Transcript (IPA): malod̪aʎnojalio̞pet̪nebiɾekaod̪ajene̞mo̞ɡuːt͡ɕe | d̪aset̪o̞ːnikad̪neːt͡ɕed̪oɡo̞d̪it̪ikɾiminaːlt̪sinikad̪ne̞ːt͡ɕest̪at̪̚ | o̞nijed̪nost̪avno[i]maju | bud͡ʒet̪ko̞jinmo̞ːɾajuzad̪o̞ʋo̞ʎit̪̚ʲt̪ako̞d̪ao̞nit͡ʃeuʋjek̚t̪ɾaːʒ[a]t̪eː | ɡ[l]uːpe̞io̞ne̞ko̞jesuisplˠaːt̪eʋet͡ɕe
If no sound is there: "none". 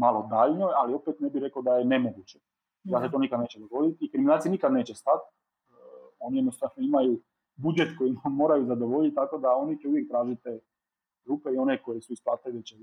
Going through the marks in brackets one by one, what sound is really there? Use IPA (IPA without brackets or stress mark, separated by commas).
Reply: i, i, ɾ